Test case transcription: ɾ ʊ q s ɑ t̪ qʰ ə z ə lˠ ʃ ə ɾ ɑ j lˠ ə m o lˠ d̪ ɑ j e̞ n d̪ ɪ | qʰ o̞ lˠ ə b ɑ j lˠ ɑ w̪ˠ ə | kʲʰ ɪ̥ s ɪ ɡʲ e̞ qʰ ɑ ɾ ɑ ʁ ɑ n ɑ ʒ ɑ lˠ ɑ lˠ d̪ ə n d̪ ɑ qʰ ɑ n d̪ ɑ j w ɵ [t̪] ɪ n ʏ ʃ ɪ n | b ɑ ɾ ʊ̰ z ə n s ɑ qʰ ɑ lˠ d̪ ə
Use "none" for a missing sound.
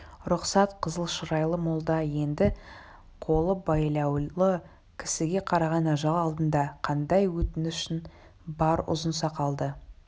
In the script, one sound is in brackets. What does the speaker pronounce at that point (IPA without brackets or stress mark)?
t̪